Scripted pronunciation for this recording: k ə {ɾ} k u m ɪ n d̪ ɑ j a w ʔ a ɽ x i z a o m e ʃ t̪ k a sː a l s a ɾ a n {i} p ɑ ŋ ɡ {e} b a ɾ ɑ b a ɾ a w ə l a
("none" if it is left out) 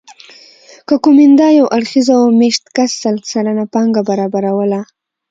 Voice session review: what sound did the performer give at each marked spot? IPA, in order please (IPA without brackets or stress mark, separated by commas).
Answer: none, a, a